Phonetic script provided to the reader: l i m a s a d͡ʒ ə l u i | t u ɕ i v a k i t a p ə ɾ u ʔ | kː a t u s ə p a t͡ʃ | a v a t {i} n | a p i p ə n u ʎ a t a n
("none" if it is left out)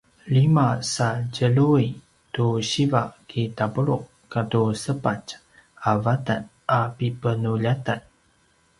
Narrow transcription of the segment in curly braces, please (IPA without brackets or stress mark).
a